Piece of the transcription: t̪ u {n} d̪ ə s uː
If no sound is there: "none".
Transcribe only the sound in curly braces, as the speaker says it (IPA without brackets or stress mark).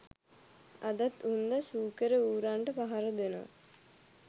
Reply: n